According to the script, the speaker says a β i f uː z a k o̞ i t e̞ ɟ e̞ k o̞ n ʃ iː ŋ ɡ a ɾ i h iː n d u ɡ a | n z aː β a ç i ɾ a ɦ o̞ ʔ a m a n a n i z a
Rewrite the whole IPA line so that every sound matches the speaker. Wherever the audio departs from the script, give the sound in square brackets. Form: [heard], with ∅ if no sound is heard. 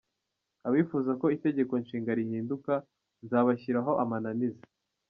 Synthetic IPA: a β i f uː z a k o̞ i t e̞ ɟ e̞ k o̞ n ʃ iː ŋ ɡ a ɾ i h iː n d u [k] a | n z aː β a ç i ɾ a ɦ o̞ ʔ a m a n a n i z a